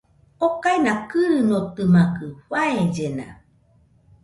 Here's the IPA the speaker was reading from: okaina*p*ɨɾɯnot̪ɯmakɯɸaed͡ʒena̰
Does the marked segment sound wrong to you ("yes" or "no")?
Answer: yes